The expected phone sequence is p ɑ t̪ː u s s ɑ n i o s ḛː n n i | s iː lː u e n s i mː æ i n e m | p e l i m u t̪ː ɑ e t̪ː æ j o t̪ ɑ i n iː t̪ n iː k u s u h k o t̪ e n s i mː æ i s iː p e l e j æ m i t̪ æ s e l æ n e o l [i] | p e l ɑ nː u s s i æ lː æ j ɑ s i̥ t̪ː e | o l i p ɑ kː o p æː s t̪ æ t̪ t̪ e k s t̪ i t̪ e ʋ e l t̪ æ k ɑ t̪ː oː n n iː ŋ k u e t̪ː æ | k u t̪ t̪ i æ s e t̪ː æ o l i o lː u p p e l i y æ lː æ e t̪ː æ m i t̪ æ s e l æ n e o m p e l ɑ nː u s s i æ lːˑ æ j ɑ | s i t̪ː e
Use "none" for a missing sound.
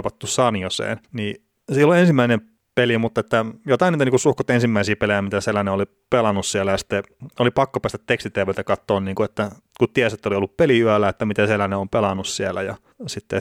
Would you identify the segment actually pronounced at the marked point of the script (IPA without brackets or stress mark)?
i